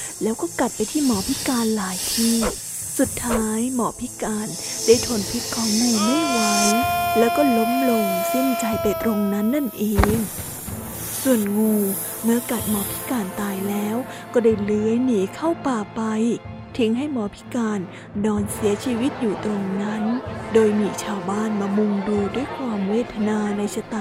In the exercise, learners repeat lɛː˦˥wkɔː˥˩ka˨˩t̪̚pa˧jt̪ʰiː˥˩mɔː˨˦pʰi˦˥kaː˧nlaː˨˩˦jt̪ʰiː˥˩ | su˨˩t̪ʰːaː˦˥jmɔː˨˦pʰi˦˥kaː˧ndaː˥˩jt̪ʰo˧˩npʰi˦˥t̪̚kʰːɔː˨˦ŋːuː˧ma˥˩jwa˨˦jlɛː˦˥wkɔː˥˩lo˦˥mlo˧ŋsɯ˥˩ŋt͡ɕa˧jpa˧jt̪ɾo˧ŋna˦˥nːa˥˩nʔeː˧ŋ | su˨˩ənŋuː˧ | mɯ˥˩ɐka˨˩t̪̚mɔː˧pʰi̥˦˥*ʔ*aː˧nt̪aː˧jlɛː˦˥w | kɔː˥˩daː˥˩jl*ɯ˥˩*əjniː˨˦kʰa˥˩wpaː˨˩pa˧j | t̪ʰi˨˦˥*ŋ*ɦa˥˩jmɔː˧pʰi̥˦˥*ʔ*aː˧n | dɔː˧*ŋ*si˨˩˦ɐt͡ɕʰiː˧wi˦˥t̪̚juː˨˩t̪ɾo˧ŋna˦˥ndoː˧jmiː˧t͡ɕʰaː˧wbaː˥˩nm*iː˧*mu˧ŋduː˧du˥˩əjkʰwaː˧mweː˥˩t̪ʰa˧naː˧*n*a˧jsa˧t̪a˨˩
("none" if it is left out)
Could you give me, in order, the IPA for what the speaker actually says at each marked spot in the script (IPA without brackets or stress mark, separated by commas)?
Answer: k, ɯ˧˦, ŋ, k, n, aː˧, n